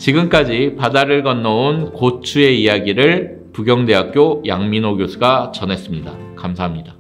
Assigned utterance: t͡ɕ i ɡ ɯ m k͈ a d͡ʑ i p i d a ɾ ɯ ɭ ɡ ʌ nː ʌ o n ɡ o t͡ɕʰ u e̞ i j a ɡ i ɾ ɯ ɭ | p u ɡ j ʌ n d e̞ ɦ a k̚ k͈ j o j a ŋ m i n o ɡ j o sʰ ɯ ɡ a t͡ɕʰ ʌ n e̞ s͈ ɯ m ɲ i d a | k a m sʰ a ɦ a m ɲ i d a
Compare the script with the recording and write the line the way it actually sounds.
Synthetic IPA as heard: t͡ɕ i ɡ ɯ m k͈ a d͡ʑ i p a d a ɾ ɯ ɭ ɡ ʌ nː ʌ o n k o t͡ɕʰ u e̞ i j a ɡ i ɾ ɯ ɭ | p u ɡ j ʌ ŋ d e̞ ɦ a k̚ k͈ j o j a ŋ m i n o ɡ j o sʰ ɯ ɡ a t͡ɕ ʌ n e̞ s͈ ɯ m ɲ i d a | k a m sʰ a ɦ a m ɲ i d a